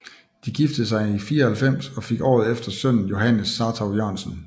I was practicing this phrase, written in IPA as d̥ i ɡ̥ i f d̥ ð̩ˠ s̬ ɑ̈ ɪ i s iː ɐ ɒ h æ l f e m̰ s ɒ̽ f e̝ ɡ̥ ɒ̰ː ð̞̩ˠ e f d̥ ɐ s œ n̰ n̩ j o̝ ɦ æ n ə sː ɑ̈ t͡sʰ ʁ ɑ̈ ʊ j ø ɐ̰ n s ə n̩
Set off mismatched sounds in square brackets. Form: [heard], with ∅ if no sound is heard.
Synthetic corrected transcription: d̥ i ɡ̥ i f d̥ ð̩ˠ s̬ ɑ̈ ɪ i [f] iː ɐ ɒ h æ l f e m̰ s ɒ̽ f e̝ ɡ̥ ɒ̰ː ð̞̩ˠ e f d̥ ɐ s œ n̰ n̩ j o̝ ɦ æ n ə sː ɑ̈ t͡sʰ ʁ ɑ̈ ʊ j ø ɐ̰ n s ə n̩